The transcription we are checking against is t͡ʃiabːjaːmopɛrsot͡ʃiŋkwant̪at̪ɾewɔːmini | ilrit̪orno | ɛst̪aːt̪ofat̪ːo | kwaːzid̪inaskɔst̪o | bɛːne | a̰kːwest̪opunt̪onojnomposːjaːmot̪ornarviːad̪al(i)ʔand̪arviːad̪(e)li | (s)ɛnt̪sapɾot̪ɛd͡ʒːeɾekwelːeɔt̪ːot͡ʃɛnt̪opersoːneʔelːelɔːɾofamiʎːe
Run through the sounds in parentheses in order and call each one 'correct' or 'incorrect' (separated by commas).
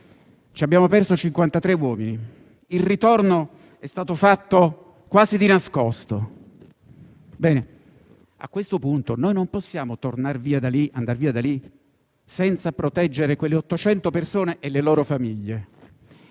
correct, incorrect, correct